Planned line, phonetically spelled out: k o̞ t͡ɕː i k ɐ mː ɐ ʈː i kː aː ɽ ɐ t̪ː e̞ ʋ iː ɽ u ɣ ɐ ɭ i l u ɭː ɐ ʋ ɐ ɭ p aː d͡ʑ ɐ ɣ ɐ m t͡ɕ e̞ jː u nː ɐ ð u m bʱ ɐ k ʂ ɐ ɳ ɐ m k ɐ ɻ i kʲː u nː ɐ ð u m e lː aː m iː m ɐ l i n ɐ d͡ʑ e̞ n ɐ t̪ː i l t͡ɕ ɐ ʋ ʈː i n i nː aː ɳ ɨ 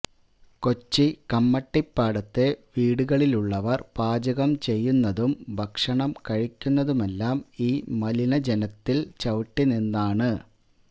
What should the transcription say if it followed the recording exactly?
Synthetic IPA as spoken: k o̞ t͡ɕː i k ɐ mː ɐ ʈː i pː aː ɽ ɐ t̪ː e̞ ʋ iː ɽ u ɣ ɐ ɭ i l u ɭː ɐ ʋ ɐ r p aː d͡ʑ ɐ ɣ ɐ m t͡ɕ e̞ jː u nː ɐ ð u m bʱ ɐ k ʂ ɐ ɳ ɐ m k ɐ ɻ i kʲː u nː ɐ ð u m e lː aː m iː m ɐ l i n ɐ d͡ʑ e̞ n ɐ t̪ː i l t͡ɕ ɐ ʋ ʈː i n i nː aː ɳ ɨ